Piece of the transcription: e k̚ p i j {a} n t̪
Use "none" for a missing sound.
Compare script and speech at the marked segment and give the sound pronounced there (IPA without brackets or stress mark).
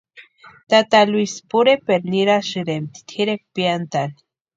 a